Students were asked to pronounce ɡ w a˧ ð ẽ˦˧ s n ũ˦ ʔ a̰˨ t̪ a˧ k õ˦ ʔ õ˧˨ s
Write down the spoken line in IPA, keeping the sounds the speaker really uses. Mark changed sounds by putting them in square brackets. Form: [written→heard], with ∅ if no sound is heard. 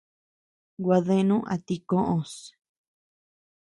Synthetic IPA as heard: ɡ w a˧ ð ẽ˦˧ [s→∅] n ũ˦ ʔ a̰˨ t̪ [a˧→i˧] k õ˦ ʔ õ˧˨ s